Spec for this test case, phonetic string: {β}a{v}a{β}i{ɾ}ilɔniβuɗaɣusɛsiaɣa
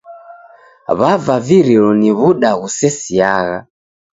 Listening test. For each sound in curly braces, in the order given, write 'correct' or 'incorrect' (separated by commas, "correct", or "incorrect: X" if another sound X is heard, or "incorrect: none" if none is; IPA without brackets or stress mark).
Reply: correct, correct, incorrect: v, correct